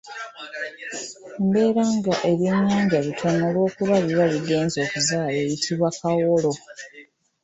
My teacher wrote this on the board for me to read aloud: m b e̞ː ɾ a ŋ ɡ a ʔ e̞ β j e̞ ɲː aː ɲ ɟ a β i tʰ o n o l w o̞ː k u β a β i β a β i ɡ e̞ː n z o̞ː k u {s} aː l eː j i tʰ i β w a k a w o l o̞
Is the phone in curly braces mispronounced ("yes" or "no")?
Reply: yes